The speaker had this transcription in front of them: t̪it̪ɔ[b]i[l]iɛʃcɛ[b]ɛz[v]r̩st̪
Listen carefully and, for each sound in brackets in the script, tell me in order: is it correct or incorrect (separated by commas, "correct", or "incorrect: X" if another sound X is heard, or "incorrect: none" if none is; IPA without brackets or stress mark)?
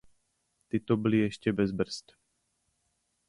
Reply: correct, correct, correct, incorrect: b